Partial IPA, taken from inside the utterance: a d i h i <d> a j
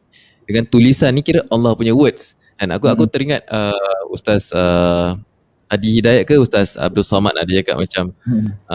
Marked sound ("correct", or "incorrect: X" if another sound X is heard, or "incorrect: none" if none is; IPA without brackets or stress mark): correct